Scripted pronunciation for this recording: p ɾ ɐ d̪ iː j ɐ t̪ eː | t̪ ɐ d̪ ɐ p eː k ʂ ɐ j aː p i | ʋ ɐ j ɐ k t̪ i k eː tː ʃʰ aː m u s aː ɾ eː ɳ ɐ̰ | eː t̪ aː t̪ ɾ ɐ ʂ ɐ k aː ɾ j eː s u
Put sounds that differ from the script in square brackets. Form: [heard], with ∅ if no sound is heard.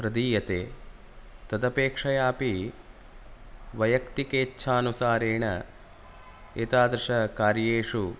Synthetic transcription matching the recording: p ɾ ɐ d̪ iː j ɐ t̪ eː | t̪ ɐ d̪ ɐ p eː k ʂ ɐ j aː p i | ʋ ɐ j ɐ k t̪ i k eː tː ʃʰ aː [n] u s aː ɾ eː ɳ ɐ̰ | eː t̪ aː [d̪] ɾ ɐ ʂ ɐ k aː ɾ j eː [ʂ] u